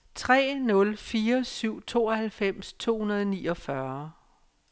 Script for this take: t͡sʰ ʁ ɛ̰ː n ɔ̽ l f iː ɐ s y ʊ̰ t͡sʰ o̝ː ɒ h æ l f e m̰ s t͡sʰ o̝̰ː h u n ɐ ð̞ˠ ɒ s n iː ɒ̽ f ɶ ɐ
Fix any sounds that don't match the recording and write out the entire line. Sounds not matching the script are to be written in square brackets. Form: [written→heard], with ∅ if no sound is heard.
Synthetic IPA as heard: t͡sʰ ʁ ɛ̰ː n ɔ̽ l f iː ɐ s y ʊ̰ t͡sʰ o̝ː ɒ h æ l f e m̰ s t͡sʰ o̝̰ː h u n ɐ ð̞ˠ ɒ [s→∅] n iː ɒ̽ f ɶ ɐ